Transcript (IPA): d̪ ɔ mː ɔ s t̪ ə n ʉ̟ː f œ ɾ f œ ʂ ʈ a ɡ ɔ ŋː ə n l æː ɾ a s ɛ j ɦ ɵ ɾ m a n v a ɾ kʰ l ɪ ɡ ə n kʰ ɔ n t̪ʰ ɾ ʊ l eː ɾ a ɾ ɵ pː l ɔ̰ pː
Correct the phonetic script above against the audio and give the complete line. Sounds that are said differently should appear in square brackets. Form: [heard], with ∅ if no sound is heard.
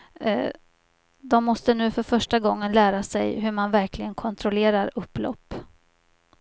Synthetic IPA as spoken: d̪ ɔ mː ɔ s t̪ ə n ʉ̟ː f œ ɾ f œ ʂ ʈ a ɡ ɔ ŋː ə n l æː ɾ a s ɛ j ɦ ɵ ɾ m a n v [æ] ɾ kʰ l ɪ ɡ ə n kʰ ɔ n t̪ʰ ɾ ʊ l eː ɾ a ɾ ɵ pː l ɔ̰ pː